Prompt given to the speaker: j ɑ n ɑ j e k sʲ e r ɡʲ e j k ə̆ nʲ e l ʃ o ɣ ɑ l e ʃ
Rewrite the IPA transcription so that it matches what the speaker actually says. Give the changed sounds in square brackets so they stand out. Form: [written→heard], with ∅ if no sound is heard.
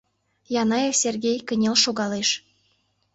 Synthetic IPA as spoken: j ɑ n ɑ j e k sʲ e r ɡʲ e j k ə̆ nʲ e l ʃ o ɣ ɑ l e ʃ